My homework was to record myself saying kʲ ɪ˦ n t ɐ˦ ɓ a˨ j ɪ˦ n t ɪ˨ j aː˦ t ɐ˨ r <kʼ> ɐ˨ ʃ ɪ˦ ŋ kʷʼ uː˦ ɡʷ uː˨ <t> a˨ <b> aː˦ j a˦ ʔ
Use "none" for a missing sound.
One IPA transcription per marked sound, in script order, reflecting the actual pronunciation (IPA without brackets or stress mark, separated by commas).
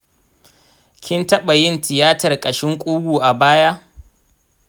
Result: kʼ, ʔ, b